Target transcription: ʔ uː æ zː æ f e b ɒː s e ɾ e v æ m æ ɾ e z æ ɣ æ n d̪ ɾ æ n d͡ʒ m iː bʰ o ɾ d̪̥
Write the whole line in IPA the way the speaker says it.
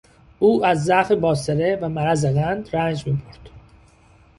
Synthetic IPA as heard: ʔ uː æ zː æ f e b ɒː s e ɾ e v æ m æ ɾ æ z e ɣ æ n d̪ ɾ æ n d͡ʒ m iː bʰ o ɾ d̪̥